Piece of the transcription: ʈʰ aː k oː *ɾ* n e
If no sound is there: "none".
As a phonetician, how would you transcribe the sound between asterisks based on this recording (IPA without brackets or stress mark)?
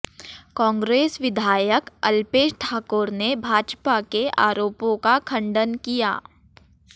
ɾ